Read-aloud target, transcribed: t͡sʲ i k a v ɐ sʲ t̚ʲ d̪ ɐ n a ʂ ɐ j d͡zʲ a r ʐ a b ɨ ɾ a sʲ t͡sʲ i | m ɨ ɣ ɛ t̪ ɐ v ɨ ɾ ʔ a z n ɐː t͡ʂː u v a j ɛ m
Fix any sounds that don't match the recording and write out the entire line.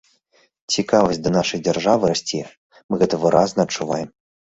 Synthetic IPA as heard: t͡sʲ i k a v ɐ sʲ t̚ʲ d̪ ɐ n a ʂ ɐ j d͡zʲ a r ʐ a v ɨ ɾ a sʲ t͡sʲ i | m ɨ ɣ ɛ t̪ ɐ v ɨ ɾ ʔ a z n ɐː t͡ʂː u v a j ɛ m